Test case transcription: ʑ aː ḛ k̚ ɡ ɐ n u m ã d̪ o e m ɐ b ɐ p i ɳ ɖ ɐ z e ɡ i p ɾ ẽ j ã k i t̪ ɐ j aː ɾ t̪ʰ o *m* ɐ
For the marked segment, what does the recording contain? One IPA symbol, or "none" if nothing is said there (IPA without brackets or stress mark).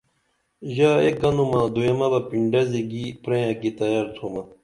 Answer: m